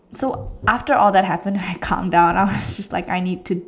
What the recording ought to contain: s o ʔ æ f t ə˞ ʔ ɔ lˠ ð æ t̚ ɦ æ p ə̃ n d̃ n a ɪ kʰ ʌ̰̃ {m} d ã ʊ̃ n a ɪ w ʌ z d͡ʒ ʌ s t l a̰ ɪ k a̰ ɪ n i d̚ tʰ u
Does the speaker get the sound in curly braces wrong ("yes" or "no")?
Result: no